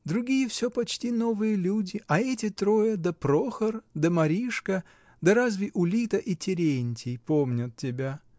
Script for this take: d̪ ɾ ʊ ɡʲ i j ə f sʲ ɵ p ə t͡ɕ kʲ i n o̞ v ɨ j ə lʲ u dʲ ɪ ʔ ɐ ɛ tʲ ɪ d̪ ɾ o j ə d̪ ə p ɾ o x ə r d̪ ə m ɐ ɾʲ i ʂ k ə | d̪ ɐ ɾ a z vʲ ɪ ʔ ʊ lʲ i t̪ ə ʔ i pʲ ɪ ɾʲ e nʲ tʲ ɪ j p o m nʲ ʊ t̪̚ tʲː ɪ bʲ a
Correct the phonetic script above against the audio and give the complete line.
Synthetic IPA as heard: d̪ ɾ ʊ ɡʲ i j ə f sʲ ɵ p ɐ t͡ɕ tʲ i n o̞ v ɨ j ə lʲ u dʲ ɪ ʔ ɐ ɛ tʲ ɪ t̪ ɾ o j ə d̪ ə p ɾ o x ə r d̪ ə m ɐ ɾʲ i ʂ k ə | d̪ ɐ ɾ a z vʲ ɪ ʔ ʊ lʲ i t̪ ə ʔ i tʲ ɪ ɾʲ e nʲ tʲ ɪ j p o m nʲ ʊ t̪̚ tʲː ɪ bʲ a